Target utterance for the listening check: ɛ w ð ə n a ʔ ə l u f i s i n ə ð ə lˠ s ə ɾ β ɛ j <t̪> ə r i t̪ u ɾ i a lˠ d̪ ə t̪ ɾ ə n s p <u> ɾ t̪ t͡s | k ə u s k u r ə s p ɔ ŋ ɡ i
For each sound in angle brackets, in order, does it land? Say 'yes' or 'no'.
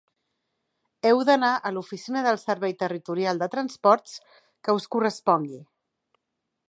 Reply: yes, no

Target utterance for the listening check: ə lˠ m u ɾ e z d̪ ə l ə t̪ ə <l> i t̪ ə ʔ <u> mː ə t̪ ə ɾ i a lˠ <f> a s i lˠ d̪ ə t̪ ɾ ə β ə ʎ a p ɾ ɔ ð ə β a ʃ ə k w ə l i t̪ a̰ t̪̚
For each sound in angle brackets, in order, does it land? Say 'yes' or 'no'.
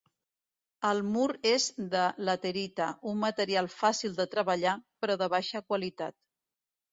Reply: no, yes, yes

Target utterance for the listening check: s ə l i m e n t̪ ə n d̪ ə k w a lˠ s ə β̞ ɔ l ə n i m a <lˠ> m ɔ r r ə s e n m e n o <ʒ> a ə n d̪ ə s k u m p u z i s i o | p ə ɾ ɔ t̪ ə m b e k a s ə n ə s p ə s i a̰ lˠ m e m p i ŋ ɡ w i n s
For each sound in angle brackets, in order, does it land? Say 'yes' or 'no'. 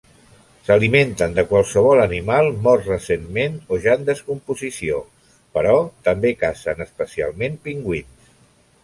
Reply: yes, yes

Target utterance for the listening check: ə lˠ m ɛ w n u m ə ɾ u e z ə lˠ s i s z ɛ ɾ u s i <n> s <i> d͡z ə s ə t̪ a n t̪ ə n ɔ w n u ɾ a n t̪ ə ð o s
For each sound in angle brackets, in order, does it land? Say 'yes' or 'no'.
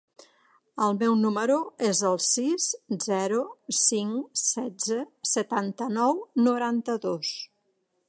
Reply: no, no

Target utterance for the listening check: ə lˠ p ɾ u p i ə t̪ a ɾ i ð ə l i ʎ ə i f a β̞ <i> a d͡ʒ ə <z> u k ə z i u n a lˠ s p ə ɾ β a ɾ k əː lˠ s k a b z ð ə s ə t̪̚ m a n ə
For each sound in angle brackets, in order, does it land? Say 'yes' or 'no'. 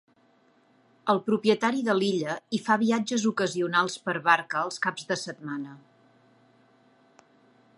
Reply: yes, yes

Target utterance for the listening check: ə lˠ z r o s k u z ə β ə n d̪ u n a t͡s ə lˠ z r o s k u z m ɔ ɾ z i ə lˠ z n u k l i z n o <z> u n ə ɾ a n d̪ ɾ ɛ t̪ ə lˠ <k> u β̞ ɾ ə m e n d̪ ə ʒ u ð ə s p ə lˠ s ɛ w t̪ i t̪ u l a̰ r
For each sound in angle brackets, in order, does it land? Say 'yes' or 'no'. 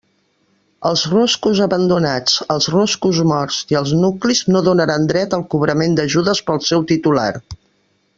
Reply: no, yes

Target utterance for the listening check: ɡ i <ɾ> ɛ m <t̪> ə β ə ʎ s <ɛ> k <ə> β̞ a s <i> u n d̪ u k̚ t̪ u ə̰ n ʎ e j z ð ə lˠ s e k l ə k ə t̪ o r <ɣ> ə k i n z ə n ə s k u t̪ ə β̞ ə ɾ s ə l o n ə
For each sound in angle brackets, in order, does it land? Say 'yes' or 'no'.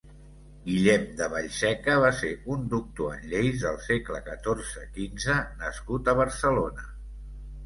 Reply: no, no, yes, yes, no, no

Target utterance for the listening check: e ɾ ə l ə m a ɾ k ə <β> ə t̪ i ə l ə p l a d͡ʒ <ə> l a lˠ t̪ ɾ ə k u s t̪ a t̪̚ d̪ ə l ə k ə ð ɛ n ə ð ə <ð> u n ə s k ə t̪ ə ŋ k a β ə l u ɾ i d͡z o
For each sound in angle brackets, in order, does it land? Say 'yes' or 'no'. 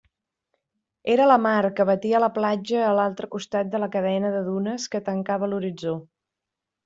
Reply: yes, no, yes

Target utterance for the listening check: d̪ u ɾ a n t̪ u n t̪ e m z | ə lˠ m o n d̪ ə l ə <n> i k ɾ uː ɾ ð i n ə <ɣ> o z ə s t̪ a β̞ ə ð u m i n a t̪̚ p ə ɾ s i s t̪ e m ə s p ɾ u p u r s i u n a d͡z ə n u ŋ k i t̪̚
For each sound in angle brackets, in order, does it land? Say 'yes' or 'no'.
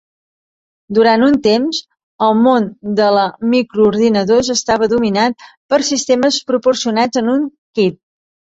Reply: no, no

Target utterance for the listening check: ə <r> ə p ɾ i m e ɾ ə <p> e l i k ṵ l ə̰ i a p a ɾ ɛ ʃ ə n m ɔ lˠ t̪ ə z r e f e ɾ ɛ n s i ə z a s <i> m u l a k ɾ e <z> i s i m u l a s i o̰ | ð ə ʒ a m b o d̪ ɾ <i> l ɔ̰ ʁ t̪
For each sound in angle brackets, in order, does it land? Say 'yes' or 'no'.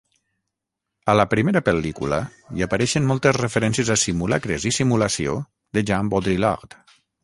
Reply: no, yes, yes, yes, yes

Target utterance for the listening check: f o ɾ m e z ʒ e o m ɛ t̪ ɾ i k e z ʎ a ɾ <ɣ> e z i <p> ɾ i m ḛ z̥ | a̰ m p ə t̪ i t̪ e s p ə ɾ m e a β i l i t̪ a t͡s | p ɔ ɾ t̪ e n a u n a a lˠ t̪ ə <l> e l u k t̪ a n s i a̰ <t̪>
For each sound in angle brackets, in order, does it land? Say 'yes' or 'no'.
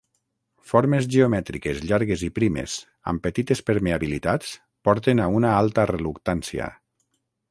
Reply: yes, yes, no, no

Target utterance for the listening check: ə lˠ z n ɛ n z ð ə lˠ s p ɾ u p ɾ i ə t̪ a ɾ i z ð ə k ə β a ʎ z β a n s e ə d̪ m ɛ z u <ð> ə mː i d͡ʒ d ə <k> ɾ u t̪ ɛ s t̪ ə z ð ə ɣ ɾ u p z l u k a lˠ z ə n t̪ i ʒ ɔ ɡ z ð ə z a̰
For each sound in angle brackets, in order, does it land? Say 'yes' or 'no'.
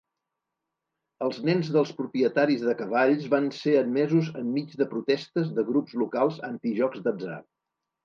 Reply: no, no

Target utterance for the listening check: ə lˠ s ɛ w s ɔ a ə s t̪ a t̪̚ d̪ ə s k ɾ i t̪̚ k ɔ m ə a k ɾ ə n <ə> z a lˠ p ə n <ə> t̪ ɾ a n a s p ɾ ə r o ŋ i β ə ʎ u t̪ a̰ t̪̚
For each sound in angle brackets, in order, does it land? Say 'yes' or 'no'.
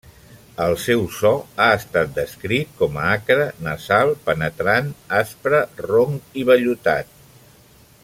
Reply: yes, yes

